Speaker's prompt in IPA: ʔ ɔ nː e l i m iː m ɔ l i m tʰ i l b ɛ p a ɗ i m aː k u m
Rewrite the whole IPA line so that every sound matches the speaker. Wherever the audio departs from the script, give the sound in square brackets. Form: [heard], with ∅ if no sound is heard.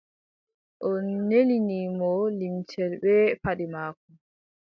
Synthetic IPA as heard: ʔ ɔ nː e l i [n] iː m ɔ l i m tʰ [ɛ] l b ɛ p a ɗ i m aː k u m